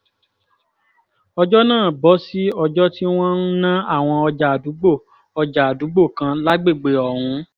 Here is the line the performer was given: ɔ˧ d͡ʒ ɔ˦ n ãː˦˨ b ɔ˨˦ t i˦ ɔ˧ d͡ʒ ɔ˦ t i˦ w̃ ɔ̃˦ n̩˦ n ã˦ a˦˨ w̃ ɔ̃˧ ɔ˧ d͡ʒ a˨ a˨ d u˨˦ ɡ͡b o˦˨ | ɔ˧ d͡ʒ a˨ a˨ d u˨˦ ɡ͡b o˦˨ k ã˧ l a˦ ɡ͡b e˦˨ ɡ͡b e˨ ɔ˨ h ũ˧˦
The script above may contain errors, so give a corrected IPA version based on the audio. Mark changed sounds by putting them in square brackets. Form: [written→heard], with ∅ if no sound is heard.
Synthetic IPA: ɔ˧ d͡ʒ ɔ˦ n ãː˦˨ b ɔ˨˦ [t→s] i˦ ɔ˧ d͡ʒ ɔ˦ t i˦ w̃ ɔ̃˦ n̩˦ n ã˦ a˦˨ w̃ ɔ̃˧ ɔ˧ d͡ʒ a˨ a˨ d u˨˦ ɡ͡b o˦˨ | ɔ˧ d͡ʒ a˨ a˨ d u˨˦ ɡ͡b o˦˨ k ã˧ l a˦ ɡ͡b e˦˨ ɡ͡b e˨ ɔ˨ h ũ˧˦

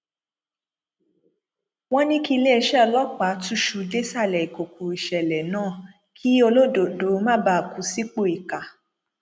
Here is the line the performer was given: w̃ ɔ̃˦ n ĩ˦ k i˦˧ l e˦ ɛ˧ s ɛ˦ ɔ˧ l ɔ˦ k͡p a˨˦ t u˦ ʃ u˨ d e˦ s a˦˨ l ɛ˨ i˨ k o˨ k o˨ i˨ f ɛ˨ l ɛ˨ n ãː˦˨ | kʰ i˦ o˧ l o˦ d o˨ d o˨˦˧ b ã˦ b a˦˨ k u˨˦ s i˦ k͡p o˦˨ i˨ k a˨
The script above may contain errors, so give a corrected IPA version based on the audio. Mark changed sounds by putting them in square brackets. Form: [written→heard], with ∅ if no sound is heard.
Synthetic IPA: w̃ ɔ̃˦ n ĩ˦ k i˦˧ l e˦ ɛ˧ [s→ʃ] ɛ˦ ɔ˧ l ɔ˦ k͡p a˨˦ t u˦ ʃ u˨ d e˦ s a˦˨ l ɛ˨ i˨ k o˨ k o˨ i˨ [f→ʃ] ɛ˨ l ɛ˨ n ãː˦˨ | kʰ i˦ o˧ l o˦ d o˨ d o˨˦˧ [b→m] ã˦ b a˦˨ k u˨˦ s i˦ k͡p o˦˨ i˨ k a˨

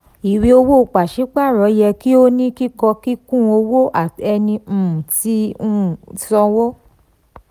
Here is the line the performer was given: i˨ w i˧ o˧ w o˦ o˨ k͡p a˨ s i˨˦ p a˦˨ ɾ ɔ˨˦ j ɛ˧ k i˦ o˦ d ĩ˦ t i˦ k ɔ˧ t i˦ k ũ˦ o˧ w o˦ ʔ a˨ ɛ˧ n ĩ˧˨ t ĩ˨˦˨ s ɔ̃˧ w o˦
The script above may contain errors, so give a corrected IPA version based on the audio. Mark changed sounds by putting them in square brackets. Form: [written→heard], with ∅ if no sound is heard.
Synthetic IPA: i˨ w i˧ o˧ w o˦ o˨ k͡p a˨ [s→ʃ] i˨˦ [p→k͡p] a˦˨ ɾ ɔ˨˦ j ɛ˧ k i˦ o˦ [d→n] ĩ˦ [t→k] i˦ k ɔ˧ [t→k] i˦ k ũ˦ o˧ w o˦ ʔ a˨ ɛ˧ n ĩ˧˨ t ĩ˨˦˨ s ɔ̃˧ w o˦

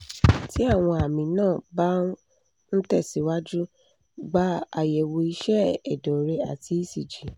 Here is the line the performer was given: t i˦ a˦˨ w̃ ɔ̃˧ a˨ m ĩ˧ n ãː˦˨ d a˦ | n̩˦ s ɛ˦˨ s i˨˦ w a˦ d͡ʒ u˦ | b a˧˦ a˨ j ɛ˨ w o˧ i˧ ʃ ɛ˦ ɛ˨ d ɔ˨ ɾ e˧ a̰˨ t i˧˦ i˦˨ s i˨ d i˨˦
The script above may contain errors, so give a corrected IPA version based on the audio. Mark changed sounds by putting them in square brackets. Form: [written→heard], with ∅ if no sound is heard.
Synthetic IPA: t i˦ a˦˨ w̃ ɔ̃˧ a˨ m ĩ˧ n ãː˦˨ [d→b] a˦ | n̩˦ [s→t] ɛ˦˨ s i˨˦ w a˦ d͡ʒ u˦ | [b→ɡ͡b] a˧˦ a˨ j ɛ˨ w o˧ i˧ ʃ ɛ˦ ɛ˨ d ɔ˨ ɾ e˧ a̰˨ t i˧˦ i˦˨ s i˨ [d→d͡ʒ] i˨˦

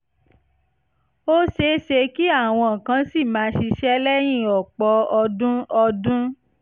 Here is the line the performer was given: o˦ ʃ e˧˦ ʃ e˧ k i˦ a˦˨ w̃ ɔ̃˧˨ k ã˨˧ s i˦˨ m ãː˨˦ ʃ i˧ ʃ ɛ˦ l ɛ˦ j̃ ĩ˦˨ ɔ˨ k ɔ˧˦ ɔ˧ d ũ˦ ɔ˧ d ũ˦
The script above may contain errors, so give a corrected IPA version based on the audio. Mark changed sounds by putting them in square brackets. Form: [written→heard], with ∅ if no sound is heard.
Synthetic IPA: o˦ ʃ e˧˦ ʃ e˧ k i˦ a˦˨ w̃ ɔ̃˧˨ k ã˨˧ s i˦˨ m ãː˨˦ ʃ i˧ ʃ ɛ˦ l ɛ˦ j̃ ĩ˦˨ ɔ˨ [k→k͡p] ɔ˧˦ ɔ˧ d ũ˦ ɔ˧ d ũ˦

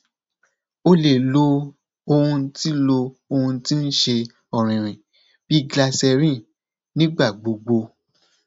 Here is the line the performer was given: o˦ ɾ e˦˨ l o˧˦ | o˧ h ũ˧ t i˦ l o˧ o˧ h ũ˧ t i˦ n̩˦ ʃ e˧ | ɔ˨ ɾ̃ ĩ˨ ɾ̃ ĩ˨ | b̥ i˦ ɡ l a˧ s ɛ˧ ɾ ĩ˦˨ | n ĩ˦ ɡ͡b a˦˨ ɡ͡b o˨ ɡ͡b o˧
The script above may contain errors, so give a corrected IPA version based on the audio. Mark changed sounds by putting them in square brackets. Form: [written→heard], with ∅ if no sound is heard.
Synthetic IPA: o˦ [ɾ→l] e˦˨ l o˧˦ | o˧ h ũ˧ t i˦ l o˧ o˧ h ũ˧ t i˦ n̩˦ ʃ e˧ | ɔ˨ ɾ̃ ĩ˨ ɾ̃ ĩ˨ | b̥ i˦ ɡ l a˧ s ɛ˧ ɾ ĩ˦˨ | n ĩ˦ ɡ͡b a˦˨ ɡ͡b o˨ ɡ͡b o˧

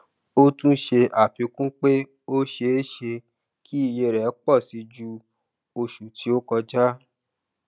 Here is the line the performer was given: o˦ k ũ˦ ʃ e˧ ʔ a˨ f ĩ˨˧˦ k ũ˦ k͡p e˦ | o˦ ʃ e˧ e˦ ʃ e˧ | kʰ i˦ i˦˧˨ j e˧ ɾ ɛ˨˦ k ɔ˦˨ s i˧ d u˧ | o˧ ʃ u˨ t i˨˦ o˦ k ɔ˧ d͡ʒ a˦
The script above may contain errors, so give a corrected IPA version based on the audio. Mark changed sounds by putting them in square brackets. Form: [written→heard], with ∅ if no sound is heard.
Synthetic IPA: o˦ [k→t] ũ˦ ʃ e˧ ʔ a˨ f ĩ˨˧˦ k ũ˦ k͡p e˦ | o˦ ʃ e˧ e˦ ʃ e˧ | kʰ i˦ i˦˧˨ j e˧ ɾ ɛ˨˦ [k→k͡p] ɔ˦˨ s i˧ [d→d͡ʒ] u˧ | o˧ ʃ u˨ t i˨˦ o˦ k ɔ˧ d͡ʒ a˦

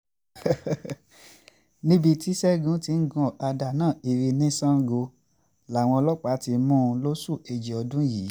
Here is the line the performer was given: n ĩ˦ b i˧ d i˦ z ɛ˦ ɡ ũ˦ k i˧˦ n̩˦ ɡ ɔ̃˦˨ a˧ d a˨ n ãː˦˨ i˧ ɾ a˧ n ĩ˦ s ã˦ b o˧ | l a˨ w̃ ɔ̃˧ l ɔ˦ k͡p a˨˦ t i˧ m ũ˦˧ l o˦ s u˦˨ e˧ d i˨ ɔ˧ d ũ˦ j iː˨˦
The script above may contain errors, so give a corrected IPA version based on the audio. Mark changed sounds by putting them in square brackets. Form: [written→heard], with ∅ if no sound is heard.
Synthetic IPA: n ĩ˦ b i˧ [d→t] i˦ [z→s] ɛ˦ ɡ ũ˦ [k→t] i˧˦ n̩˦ ɡ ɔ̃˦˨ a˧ d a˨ n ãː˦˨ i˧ ɾ [a˧→i˧] n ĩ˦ s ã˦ [b→ɡ] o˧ | l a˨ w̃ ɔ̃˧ l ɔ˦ k͡p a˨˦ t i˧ m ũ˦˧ l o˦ s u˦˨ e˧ [d→d͡ʒ] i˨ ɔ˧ d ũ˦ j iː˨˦

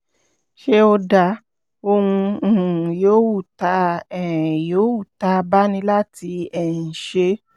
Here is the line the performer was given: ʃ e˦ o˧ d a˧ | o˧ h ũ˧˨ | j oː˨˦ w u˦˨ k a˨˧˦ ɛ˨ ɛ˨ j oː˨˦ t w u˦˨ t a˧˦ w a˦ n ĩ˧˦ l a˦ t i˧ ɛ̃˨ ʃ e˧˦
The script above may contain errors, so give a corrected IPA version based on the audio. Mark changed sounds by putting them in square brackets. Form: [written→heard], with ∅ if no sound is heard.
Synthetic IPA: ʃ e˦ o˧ d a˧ | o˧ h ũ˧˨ | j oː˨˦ w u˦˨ [k→t] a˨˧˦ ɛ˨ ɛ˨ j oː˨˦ [t→∅] w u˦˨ t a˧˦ [w→b] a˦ n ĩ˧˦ l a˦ t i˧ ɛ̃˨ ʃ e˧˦

